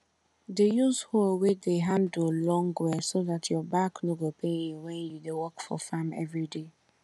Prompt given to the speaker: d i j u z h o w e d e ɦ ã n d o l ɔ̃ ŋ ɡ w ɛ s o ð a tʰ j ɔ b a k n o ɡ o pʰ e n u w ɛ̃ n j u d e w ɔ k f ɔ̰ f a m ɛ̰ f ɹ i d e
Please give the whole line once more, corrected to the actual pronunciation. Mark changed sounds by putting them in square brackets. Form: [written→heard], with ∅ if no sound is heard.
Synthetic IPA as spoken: d [i→e] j u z h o w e d e ɦ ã n d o l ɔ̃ ŋ ɡ w ɛ s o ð a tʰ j ɔ b a k n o ɡ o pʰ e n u w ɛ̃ n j u d e w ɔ k f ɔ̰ f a m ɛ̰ [f→v] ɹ i d e